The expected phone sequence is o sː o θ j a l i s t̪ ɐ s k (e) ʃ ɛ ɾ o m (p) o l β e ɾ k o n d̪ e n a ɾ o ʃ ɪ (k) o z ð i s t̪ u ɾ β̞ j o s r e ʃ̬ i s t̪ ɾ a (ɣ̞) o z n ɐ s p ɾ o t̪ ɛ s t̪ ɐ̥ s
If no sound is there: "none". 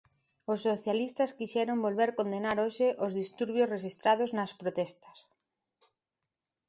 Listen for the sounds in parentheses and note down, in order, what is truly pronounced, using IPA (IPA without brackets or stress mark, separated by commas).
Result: i, b, ʔ, ð̞